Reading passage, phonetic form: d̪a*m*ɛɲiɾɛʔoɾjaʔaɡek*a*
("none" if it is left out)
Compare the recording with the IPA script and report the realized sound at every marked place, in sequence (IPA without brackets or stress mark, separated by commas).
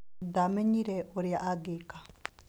m, a